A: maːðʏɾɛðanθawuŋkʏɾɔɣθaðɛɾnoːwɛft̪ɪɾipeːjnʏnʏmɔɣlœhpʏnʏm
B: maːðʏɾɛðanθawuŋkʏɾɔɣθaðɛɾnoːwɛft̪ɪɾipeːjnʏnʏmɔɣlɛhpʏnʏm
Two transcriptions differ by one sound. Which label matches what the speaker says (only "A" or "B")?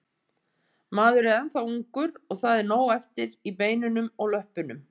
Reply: A